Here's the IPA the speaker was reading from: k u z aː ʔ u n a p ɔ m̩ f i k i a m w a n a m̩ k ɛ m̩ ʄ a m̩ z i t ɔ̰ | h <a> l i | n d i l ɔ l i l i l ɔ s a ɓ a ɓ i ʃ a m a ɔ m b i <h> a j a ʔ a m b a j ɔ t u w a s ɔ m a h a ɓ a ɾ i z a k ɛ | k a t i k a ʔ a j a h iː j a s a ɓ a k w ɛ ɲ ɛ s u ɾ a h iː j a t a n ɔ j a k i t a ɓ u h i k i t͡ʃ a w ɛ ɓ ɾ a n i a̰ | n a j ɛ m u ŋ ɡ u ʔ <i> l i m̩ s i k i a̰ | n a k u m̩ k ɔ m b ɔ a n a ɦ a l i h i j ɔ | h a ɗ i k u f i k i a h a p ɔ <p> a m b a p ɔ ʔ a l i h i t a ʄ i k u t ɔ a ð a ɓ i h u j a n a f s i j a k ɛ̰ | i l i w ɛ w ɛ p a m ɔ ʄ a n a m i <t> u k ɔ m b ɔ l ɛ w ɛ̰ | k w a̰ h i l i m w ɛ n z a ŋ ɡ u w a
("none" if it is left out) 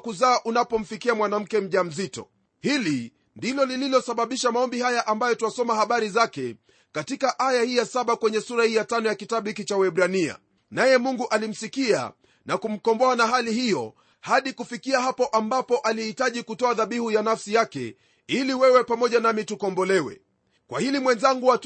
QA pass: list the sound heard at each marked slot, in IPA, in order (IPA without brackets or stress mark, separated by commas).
i, h, a, ʔ, t